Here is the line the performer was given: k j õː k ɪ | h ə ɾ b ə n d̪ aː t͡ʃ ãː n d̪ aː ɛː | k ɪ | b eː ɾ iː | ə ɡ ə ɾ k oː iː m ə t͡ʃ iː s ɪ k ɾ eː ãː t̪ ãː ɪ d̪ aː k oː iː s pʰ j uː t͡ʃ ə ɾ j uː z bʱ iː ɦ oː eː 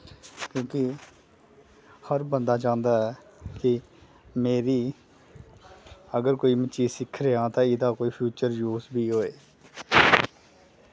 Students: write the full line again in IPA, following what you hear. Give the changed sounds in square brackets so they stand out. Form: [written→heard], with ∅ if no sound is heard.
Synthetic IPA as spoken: k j õː k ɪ | h ə ɾ b ə n d̪ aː t͡ʃ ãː n d̪ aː ɛː | k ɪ | [b→m] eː ɾ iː | ə ɡ ə ɾ k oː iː m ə t͡ʃ iː s ɪ [k→kʰ] ɾ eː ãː t̪ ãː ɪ d̪ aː k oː iː [s→∅] pʰ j uː t͡ʃ ə ɾ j uː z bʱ iː ɦ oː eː